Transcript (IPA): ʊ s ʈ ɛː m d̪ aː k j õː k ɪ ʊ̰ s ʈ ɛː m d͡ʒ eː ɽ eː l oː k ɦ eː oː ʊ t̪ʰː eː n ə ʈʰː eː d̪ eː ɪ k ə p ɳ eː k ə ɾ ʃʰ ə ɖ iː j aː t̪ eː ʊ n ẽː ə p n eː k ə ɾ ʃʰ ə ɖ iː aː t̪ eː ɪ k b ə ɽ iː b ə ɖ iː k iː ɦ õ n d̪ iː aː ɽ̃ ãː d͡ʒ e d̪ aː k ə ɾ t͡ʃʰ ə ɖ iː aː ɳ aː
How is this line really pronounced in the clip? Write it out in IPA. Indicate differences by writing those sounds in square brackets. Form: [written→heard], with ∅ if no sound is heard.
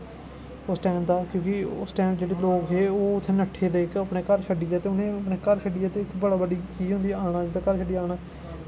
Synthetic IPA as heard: ʊ s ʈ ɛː m d̪ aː k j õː k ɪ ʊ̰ s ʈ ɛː m d͡ʒ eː ɽ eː l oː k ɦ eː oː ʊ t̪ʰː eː n ə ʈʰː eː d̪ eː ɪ k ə p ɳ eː k ə ɾ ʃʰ ə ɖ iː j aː t̪ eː ʊ n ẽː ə p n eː k ə ɾ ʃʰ ə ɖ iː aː t̪ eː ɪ k b ə ɽ [iː→aː] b ə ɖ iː k iː ɦ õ n d̪ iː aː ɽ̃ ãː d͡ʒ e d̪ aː k ə ɾ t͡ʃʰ ə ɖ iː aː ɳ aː